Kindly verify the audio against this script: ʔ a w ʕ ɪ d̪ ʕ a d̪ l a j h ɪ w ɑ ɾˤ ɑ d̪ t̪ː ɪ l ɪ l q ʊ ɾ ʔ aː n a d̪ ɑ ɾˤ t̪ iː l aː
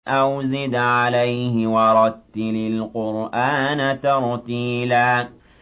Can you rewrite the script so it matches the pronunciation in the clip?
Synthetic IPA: ʔ a w z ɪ d̪ ʕ a l a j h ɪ w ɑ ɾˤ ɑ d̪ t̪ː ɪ l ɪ l q ʊ ɾ ʔ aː n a t̪ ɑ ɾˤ t̪ iː l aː